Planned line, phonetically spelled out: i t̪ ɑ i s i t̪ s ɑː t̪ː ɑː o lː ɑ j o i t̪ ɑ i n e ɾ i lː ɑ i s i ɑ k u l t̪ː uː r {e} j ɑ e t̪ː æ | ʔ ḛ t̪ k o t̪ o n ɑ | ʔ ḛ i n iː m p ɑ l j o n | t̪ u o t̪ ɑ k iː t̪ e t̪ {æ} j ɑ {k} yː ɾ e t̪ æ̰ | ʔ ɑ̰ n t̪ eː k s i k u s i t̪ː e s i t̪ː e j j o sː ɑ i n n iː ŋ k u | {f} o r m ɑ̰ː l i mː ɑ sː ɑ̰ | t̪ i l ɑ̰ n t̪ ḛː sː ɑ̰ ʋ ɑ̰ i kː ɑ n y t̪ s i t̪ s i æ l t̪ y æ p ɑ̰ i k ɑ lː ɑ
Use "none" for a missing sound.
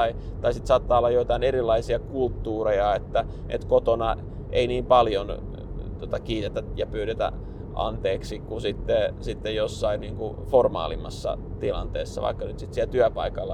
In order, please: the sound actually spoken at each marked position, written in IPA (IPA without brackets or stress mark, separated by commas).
e, æ, p, f